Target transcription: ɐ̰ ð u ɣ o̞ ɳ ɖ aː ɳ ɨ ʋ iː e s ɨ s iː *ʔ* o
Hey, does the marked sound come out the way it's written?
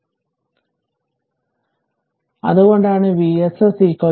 no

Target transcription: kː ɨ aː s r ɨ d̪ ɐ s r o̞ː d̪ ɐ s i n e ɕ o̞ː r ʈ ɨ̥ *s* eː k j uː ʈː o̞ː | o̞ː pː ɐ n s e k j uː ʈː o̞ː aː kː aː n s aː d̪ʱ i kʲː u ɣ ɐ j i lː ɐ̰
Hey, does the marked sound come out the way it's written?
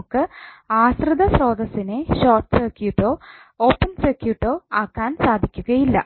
yes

